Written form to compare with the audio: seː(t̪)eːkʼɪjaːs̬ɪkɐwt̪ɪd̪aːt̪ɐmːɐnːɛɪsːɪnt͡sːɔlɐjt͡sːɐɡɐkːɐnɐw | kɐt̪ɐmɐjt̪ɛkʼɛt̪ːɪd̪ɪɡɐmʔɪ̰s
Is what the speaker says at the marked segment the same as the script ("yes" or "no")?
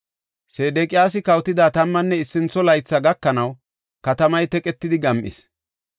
no